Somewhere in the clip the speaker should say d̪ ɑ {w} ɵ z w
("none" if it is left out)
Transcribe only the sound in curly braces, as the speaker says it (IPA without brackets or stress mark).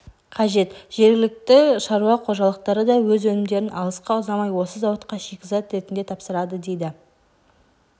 w